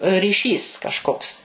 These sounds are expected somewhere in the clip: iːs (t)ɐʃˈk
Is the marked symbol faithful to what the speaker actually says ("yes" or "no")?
no